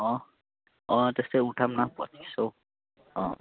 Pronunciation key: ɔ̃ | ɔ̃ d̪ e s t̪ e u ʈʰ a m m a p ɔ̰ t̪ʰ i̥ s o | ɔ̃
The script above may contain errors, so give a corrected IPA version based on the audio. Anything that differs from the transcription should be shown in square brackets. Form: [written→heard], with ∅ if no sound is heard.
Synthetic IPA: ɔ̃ | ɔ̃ [d̪→t̪] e s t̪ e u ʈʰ a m [m→n] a p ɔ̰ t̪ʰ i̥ s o | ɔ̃